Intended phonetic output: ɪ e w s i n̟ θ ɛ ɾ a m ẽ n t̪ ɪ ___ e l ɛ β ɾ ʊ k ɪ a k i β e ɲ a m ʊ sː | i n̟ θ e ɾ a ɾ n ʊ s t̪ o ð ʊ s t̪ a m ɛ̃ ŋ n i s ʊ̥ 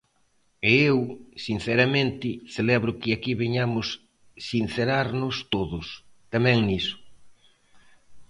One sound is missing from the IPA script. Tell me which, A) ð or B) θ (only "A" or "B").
B